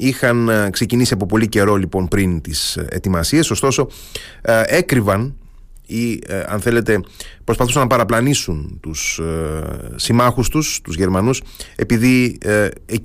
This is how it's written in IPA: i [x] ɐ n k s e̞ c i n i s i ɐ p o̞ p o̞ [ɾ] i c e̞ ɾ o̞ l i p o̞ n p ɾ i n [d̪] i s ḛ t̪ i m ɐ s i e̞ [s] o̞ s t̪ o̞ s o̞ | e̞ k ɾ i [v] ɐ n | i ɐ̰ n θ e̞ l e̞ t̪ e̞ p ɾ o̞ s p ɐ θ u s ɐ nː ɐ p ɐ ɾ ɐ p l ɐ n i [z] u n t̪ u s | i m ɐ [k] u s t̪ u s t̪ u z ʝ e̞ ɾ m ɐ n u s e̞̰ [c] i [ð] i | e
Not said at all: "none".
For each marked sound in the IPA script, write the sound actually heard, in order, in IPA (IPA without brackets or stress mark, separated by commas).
x, l, t̪, s, v, s, x, p, ð